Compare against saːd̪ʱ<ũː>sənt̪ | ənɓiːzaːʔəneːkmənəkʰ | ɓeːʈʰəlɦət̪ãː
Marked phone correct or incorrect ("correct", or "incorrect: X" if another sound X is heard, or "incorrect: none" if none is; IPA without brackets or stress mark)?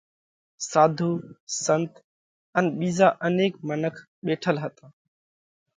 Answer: incorrect: uː